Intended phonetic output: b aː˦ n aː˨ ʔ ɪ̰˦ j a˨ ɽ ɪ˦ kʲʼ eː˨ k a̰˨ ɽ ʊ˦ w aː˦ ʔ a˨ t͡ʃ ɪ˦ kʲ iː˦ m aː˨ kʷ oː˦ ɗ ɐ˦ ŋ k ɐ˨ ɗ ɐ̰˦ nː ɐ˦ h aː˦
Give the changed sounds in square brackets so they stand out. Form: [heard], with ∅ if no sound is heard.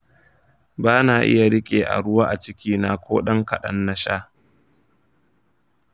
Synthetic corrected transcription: b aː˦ n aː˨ ʔ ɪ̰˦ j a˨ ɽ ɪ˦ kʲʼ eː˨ [ʔ] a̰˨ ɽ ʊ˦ w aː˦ ʔ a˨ t͡ʃ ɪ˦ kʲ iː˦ [n] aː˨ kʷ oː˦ ɗ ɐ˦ ŋ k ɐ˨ ɗ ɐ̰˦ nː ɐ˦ [ʃ] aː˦